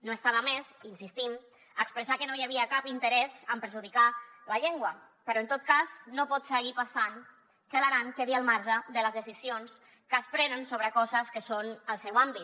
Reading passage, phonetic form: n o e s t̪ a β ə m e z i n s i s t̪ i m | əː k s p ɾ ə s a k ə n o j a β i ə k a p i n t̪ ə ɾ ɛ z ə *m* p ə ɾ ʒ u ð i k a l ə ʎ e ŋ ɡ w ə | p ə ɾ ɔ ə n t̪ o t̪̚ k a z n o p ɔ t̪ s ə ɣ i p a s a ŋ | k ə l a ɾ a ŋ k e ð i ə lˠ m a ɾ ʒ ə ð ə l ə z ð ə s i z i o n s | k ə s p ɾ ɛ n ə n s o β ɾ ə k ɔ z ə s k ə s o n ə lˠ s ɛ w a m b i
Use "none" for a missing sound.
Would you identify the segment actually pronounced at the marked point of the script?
m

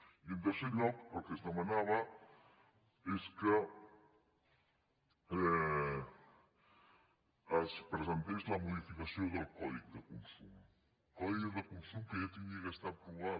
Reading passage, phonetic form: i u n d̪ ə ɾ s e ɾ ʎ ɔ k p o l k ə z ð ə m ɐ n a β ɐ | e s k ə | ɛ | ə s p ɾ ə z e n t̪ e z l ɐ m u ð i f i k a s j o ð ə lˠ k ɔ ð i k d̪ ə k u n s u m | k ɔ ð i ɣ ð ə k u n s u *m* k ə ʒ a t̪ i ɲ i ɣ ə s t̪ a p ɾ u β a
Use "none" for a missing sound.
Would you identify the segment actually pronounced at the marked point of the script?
m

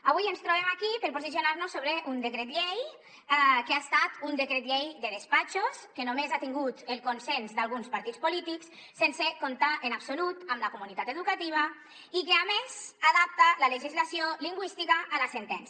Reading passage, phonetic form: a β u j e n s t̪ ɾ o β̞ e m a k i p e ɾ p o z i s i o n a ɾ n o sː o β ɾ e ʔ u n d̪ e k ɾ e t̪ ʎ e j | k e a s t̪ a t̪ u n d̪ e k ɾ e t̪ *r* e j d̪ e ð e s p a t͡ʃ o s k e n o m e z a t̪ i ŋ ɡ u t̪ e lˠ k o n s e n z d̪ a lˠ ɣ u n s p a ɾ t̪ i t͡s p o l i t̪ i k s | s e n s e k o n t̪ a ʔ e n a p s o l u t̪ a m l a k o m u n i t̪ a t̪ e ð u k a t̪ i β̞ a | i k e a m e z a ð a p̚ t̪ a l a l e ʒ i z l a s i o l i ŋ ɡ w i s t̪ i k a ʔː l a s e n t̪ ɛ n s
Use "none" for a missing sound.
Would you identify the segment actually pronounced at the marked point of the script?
ʎ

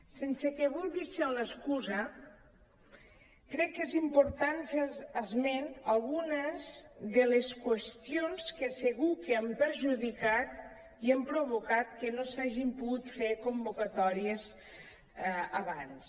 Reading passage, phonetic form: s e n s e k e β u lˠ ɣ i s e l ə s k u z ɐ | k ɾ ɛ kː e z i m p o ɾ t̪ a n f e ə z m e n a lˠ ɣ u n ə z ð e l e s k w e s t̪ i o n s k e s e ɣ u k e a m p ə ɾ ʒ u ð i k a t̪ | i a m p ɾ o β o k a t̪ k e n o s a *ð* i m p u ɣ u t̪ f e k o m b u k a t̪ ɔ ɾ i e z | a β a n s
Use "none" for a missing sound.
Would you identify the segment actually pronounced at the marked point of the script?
ʒ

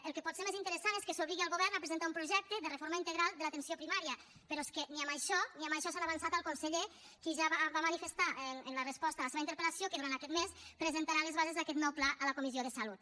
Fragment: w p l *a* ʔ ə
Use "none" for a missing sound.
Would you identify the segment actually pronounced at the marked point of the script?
a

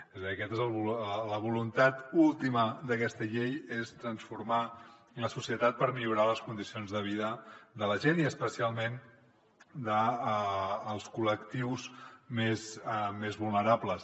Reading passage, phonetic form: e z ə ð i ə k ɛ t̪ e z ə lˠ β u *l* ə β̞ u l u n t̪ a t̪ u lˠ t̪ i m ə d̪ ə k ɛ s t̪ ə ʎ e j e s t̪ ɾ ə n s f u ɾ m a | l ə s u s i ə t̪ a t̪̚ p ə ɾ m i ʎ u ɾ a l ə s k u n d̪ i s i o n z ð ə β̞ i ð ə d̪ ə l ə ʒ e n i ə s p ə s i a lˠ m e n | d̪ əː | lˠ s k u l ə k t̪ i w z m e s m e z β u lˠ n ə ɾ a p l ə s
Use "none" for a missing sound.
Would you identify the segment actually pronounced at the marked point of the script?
l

